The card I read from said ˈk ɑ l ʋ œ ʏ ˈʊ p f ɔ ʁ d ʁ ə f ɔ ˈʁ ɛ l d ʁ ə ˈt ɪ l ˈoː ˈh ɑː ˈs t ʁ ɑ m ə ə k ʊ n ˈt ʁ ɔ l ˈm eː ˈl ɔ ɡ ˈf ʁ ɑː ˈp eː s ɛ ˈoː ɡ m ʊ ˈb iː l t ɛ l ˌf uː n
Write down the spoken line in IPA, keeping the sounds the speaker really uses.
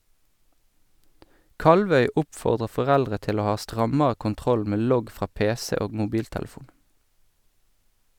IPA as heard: ˈk ɑ l ʋ œ ʏ ˈʊ p f ɔ ʁ d ʁ ə f ɔ ˈʁ ɛ l d ʁ ə ˈt ɪ l ˈoː ˈh ɑː ˈs t ʁ ɑ m ə ə k ʊ n ˈt ʁ ɔ l ˈm eː ˈl ɔ ɡ ˈf ʁ ɑː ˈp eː s ɛ ˈoː ɡ m ʊ ˈb iː l t ɛ l ˌf uː n